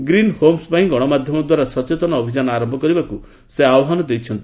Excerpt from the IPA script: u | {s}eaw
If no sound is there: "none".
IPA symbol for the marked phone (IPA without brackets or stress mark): s